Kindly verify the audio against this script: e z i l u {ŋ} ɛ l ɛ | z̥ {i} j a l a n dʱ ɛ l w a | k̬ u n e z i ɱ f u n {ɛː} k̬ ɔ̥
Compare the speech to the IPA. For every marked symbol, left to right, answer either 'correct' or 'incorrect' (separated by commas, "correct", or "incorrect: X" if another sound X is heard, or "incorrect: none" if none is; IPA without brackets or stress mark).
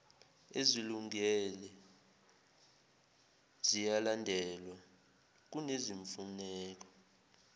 correct, correct, correct